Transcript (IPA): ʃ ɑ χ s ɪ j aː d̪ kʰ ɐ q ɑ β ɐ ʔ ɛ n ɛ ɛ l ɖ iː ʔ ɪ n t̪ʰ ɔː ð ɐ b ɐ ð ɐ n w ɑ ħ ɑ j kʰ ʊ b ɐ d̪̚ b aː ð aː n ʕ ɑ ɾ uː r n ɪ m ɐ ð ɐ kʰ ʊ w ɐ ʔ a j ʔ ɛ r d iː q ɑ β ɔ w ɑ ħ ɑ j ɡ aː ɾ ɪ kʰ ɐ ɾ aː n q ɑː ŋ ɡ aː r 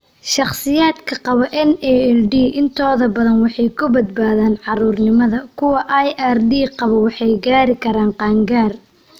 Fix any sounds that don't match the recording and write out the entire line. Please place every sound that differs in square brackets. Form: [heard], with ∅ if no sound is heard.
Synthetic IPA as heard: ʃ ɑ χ s ɪ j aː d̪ kʰ ɐ q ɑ β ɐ ʔ ɛ n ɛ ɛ l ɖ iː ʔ ɪ n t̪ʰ ɔː ð ɐ b ɐ ð ɐ n w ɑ ħ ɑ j kʰ ʊ b ɐ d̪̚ b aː ð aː n ʕ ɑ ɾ uː r n ɪ m ɐ ð ɐ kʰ ʊ w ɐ ʔ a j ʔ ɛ r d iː q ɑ β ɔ w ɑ ħ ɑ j ɡ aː ɾ ɪ kʰ ɐ ɾ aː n q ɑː ŋ ɡ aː r